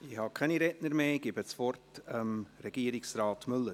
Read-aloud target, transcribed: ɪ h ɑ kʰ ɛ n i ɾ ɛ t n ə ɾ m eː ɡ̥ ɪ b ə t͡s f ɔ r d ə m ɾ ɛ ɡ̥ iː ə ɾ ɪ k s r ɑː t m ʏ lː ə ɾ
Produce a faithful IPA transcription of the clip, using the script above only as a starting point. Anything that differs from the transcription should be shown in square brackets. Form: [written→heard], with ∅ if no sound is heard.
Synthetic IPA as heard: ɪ h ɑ kʰ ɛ n i ɾ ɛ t n ə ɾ m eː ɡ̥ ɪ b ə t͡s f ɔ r [d→t] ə m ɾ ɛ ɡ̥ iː ə ɾ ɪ k s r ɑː t m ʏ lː ə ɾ